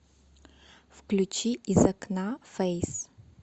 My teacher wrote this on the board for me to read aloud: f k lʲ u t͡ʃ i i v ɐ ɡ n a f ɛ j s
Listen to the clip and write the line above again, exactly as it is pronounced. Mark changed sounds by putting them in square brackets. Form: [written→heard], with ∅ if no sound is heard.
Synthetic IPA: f k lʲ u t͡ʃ i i [v→z] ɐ [ɡ→k] n a f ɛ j s